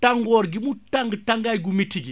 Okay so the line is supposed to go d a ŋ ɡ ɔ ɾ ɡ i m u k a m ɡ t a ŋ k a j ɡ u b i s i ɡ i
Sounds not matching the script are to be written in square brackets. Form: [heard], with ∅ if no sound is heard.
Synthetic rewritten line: [t] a ŋ ɡ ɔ ɾ ɡ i m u [t] a [ŋ] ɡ t a ŋ [ɡ] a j ɡ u [m] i [t] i ɡ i